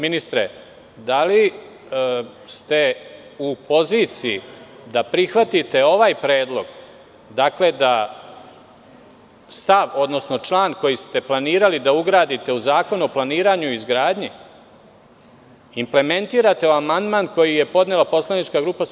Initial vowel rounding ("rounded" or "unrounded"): unrounded